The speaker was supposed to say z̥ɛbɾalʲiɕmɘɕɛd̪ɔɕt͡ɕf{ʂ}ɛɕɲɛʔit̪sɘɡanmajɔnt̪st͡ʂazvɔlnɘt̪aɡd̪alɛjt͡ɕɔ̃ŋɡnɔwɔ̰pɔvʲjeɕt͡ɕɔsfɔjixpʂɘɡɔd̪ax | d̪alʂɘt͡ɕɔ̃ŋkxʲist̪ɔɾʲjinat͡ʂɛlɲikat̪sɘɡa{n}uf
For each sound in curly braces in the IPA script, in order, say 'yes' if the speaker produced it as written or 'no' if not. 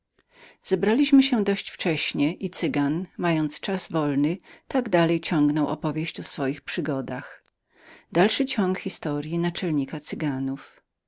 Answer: no, yes

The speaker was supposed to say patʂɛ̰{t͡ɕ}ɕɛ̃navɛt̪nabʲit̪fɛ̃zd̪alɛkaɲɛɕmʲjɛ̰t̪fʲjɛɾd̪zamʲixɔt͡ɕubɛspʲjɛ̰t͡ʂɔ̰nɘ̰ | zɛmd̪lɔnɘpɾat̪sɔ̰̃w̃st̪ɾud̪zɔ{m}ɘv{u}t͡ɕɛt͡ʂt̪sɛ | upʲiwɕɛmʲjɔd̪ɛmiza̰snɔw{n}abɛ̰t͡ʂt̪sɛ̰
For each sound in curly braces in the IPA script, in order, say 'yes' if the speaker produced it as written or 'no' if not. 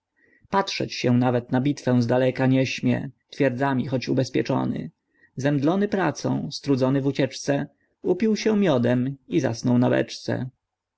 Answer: yes, no, yes, yes

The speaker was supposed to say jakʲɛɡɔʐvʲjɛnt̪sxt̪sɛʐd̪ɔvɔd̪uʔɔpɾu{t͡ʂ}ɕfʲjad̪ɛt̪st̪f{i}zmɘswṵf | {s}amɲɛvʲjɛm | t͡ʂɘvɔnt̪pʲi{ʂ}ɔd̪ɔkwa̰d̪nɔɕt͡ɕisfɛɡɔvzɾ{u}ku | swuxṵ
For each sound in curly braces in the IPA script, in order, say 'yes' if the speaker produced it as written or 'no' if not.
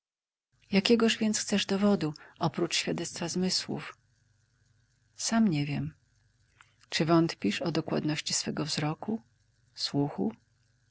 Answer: yes, no, yes, yes, no

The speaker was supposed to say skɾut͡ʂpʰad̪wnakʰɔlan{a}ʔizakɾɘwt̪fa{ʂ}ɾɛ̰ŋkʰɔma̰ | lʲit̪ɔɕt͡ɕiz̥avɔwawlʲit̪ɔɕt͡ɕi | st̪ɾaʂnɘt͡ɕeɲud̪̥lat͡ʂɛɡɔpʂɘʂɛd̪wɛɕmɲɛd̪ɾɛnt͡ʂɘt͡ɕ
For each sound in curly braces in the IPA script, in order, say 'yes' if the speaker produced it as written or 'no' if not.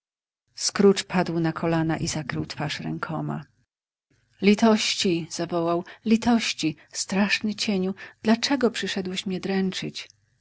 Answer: yes, yes

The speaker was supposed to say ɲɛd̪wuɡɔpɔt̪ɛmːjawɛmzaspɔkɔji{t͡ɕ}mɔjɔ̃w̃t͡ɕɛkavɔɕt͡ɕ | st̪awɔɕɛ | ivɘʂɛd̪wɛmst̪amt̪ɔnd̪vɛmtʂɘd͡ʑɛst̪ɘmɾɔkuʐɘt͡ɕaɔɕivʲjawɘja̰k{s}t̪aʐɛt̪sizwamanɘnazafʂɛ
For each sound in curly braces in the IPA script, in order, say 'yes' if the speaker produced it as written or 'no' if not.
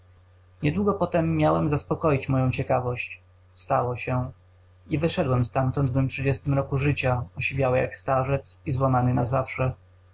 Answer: yes, yes

